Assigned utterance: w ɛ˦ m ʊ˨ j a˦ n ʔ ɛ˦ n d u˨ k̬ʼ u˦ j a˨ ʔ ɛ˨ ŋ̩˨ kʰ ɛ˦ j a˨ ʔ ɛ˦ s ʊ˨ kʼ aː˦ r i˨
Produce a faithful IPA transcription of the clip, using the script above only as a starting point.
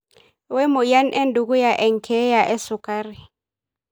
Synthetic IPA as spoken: w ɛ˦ m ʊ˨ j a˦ n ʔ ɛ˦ n d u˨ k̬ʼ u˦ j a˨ ʔ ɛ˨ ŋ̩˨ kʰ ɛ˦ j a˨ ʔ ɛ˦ s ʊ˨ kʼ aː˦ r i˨